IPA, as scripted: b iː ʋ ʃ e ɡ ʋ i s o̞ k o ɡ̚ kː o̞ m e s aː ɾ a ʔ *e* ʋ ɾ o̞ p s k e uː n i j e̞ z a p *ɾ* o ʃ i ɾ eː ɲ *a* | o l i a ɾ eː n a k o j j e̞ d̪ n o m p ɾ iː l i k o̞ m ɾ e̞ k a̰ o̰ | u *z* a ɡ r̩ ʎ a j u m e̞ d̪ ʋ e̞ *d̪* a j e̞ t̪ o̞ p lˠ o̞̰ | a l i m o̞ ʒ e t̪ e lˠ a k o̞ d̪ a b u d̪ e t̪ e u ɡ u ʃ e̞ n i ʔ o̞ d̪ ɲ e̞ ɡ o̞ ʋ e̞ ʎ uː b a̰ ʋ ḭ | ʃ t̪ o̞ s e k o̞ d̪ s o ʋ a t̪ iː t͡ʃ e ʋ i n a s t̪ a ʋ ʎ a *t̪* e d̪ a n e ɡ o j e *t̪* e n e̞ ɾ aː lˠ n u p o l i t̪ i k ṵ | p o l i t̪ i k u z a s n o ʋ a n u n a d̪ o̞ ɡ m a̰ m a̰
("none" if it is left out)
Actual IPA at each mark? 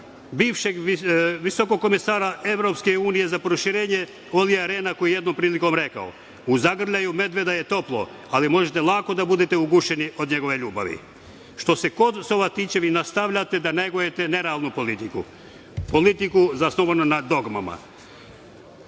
e, ɾ, e, z, d̪, t̪, t̪

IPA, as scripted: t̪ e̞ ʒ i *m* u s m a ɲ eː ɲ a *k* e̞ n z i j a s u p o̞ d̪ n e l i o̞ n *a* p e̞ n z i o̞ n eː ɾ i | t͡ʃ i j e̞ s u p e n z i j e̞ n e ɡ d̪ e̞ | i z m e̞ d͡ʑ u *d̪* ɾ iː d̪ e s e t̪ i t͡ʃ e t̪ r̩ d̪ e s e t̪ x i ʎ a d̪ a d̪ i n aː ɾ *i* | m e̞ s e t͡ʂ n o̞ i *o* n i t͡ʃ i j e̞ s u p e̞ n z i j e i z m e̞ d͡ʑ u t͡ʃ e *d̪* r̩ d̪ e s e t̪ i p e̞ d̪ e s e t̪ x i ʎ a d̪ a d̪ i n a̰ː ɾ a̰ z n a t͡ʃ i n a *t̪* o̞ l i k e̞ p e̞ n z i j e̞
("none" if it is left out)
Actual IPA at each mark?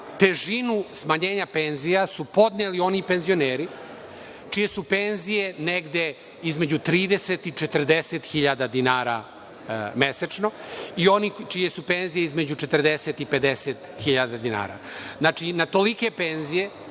n, p, i, t̪, a, o, t̪, t̪

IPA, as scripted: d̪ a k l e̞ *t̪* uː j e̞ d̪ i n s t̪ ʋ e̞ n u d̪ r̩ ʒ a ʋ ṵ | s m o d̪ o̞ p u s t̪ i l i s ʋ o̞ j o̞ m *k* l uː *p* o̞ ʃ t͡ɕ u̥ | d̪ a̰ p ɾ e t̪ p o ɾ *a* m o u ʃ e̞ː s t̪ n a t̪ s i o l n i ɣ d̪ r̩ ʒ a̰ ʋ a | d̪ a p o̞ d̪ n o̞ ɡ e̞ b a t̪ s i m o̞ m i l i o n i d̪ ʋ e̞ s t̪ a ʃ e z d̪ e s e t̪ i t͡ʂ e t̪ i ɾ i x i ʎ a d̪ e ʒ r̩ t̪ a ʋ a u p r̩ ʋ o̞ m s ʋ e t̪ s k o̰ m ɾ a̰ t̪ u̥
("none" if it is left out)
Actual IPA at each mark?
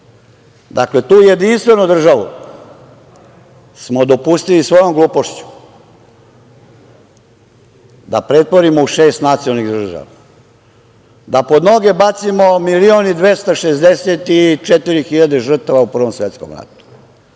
t̪, ɡ, p, i

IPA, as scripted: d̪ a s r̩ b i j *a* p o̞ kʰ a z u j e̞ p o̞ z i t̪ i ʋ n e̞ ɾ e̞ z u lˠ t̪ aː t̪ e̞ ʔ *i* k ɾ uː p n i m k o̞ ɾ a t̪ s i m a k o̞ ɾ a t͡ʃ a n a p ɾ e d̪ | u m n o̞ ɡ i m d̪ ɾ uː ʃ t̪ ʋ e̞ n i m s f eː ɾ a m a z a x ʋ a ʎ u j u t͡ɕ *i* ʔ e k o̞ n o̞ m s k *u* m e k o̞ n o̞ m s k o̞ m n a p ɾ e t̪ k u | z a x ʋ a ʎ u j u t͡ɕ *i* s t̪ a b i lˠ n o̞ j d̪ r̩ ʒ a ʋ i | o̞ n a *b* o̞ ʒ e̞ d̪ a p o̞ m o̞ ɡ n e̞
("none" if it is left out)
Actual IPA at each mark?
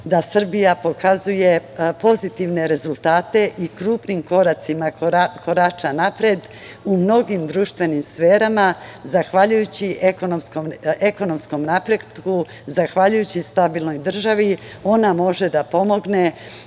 a, i, i, o, i, m

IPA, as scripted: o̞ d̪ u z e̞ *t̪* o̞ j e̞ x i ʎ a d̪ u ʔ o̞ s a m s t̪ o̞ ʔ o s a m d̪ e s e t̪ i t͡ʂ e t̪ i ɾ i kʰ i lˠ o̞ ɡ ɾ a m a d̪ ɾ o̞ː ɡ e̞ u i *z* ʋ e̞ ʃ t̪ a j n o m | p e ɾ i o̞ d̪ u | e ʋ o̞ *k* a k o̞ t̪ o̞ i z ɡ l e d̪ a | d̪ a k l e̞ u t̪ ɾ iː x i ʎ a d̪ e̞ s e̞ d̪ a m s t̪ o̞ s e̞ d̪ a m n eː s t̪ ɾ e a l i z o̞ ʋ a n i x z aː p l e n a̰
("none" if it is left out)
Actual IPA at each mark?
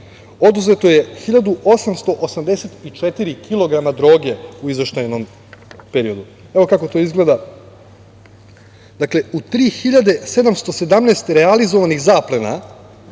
t̪, z, k

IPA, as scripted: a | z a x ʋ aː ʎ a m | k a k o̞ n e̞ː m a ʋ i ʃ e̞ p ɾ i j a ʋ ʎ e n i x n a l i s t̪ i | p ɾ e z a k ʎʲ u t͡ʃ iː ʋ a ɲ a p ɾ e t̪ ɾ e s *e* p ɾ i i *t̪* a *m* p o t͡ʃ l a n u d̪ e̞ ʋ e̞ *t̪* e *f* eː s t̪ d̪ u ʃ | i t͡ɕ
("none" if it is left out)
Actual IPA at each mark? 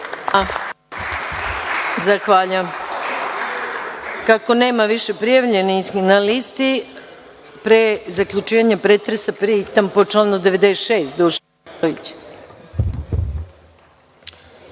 a, t̪, m, d̪, ʃ

